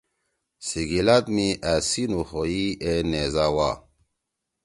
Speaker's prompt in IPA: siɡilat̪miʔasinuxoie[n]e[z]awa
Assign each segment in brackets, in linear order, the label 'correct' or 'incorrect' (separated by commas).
correct, correct